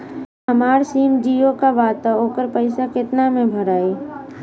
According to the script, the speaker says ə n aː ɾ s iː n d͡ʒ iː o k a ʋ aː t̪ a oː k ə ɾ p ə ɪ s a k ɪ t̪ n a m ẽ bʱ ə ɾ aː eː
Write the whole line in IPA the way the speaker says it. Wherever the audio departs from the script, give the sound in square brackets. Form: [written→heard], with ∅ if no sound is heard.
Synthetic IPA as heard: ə [n→m] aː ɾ s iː [n→m] d͡ʒ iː o k a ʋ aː t̪ a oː k ə ɾ p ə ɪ s a k ɪ t̪ n a m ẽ bʱ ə ɾ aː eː